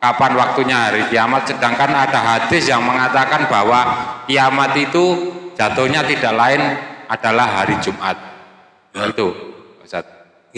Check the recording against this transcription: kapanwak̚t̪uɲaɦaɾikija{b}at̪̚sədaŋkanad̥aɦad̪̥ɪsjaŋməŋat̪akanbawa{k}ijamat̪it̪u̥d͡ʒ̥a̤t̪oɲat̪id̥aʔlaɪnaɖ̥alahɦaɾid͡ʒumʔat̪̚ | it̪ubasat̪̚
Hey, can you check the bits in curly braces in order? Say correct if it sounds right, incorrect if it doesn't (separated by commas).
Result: incorrect, correct